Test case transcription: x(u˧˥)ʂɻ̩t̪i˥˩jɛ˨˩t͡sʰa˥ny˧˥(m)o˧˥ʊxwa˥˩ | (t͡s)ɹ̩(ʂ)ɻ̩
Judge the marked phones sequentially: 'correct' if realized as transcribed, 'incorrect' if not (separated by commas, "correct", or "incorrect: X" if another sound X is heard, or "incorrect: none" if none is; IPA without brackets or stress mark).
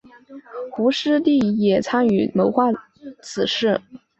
correct, correct, incorrect: t͡sʰ, correct